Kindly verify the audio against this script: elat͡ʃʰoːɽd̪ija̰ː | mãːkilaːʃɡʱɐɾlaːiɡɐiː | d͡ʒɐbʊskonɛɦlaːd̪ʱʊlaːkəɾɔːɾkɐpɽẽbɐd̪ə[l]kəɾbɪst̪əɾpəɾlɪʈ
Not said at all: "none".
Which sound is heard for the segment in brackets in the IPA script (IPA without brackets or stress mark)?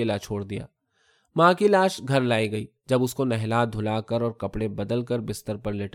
l